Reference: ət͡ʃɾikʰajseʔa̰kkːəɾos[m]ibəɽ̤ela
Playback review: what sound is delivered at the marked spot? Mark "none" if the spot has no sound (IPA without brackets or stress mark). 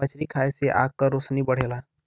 n